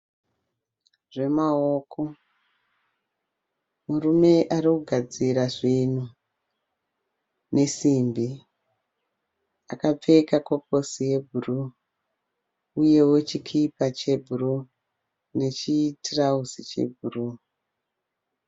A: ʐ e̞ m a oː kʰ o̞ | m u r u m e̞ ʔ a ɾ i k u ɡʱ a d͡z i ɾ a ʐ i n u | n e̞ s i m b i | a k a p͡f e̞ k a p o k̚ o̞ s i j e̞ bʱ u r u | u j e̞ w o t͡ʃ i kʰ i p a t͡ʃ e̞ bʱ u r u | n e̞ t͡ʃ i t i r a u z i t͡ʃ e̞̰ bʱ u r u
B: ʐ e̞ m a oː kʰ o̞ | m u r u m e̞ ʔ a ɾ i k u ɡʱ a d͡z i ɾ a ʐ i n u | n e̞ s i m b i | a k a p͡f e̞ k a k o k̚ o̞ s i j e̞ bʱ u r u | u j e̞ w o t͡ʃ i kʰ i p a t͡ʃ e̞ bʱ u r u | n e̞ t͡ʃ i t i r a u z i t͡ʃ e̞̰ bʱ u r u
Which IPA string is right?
B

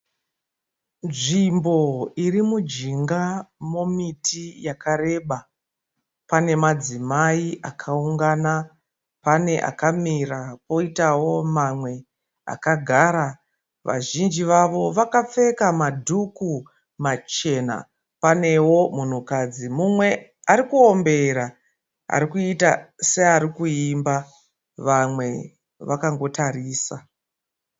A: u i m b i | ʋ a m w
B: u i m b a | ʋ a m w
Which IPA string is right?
B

